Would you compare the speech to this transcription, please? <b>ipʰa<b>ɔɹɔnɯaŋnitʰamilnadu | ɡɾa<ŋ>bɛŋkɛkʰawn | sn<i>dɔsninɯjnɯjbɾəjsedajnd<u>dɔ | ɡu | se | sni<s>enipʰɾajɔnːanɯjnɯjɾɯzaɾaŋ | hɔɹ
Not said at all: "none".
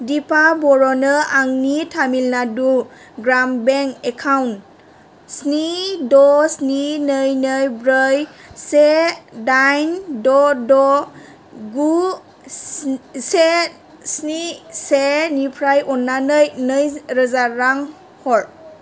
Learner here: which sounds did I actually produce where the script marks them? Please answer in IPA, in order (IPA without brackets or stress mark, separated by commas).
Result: d, b, m, i, ɔ, s